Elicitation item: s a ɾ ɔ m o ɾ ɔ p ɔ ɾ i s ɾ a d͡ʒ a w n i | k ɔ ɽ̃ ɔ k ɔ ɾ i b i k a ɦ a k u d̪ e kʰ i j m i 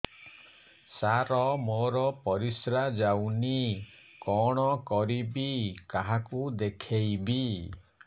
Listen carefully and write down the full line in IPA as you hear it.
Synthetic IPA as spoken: s a ɾ ɔ m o ɾ ɔ p ɔ ɾ i s ɾ a d͡ʒ a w n i | k ɔ ɽ̃ ɔ k ɔ ɾ i b i k a ɦ a k u d̪ e kʰ e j b i

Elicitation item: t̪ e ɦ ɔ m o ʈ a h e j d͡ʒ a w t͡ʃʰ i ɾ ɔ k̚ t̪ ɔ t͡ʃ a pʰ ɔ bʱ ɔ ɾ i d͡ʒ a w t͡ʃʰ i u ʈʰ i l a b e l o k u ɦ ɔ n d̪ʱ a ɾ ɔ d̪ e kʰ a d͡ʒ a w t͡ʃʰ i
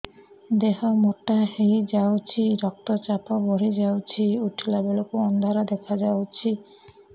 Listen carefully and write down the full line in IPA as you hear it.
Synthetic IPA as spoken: d̪ e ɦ ɔ m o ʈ a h e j d͡ʒ a w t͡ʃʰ i ɾ ɔ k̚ t̪ ɔ t͡ʃ a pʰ ɔ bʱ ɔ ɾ i d͡ʒ a w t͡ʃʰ i u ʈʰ i l a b e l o k u ɔ n d̪ʱ a ɾ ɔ d̪ e kʰ a d͡ʒ a w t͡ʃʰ i

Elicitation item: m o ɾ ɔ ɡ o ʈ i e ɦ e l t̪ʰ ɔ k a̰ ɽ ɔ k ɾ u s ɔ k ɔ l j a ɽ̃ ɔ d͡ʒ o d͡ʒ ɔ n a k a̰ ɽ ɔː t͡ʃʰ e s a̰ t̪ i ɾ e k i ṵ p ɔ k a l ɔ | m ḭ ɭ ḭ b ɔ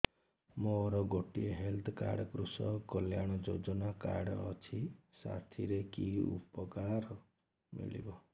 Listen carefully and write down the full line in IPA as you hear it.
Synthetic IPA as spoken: m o ɾ ɔ ɡ o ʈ i e ɦ e l t̪ʰ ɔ k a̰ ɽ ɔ k ɾ u s ɔ k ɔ l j a ɽ̃ ɔ d͡ʒ o d͡ʒ ɔ n a k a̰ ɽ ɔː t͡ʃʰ i s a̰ t̪ʰ i ɾ e k i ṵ p ɔ k a ɾ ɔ | m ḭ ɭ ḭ b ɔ

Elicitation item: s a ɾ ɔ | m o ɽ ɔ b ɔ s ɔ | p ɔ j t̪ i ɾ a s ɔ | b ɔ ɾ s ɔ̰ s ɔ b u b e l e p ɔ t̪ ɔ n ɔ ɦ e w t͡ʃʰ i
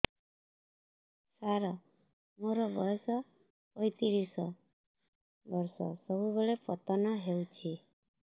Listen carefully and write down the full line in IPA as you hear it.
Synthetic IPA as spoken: s a ɾ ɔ | m o ɾ ɔ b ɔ s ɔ | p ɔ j t̪ i ɾ i s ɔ | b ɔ ɾ s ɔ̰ s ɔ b u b e ɭ e p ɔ t̪ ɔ n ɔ ɦ e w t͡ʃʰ i

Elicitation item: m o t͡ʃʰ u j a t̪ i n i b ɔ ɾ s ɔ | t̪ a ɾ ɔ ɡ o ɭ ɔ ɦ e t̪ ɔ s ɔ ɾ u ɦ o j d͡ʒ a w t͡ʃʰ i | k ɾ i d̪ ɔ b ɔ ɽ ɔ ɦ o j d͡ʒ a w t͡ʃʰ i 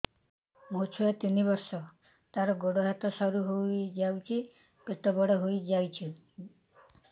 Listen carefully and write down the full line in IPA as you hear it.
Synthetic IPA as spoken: m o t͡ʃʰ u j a t̪ i n i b ɔ ɾ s ɔ | t̪ a ɾ ɔ ɡ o ɽ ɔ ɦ a t̪ ɔ s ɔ ɾ u ɦ o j d͡ʒ a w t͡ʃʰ i | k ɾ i t̪ ɔ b ɔ ɽ ɔ ɦ o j d͡ʒ a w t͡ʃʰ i

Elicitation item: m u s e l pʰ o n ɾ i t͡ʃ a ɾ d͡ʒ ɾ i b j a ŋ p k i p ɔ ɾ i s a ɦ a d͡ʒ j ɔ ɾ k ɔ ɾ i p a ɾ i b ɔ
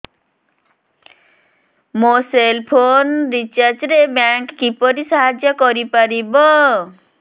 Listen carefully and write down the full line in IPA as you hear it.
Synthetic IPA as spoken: m o s e l pʰ o n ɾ i t͡ʃ a ɾ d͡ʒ ɾ e b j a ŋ k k i p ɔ ɾ i s a ɦ a d͡ʒ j ɔ k ɔ ɾ i p a ɾ i b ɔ

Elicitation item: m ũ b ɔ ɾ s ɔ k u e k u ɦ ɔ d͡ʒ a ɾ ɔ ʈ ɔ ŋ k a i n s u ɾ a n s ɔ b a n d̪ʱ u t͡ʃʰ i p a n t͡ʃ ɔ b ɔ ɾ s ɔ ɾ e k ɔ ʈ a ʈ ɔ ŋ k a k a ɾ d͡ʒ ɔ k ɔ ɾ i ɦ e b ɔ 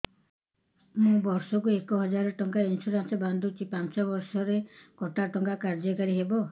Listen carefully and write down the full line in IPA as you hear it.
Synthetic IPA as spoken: m ũ b ɔ ɾ s ɔ k u e k ɔ ɦ ɔ d͡ʒ a ɾ ɔ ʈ ɔ ŋ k a i n s u ɾ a n s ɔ b a n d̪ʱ u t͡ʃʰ i p a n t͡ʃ ɔ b ɔ ɾ s ɔ ɾ e k ɔ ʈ a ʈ ɔ ŋ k a k a ɾ d͡ʒ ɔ k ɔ ɾ i ɦ e b ɔ

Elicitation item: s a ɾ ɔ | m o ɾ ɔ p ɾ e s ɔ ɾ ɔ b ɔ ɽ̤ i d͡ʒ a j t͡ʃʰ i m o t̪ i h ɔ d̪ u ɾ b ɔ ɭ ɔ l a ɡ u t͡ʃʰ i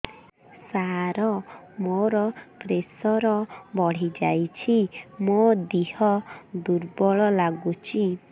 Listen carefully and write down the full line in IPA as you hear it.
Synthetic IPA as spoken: s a ɾ ɔ | m o ɾ ɔ p ɾ e s ɔ ɾ ɔ b ɔ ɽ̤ i d͡ʒ a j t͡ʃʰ i m o d̪ i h ɔ d̪ u ɾ b ɔ ɭ ɔ l a ɡ u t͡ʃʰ i

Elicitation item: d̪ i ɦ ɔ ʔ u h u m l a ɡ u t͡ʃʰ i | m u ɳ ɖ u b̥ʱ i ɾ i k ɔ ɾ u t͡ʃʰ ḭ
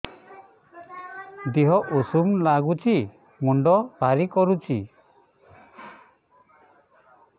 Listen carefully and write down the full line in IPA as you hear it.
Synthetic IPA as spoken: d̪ i ɦ ɔ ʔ u s u m l a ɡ u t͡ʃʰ i | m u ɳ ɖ ɔ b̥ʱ a ɾ i k ɔ ɾ u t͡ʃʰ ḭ

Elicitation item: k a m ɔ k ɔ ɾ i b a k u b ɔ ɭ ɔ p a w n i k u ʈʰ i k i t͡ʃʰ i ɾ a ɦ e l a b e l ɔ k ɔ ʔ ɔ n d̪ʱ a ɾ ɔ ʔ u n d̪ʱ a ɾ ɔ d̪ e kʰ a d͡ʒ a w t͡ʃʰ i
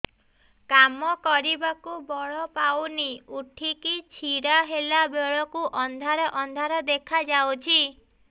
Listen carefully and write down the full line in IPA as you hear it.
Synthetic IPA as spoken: k a m ɔ k ɔ ɾ i b a k u b ɔ ɭ ɔ p a w n i u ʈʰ i k i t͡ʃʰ i ɾ a ɦ e l a b e ɭ ɔ k u ʔ ɔ n d̪ʱ a ɾ ɔ ʔ ɔ n d̪ʱ a ɾ ɔ d̪ e kʰ a d͡ʒ a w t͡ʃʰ i

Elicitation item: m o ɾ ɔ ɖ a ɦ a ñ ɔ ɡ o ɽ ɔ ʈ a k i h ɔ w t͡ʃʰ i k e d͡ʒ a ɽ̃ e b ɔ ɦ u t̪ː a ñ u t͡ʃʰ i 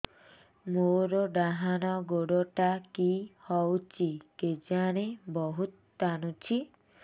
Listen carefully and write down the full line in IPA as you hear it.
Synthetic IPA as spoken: m o ɾ ɔ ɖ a ɦ a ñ ɔ ɡ o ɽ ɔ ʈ a k i h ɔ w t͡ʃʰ i k e d͡ʒ a ɽ̃ e b ɔ ɦ u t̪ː a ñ u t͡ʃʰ i

